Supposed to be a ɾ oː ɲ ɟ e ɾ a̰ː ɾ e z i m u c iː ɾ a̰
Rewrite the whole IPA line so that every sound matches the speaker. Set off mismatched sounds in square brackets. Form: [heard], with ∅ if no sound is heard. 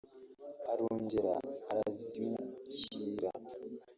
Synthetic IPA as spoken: a ɾ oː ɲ ɟ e ɾ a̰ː ɾ [a] z i m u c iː ɾ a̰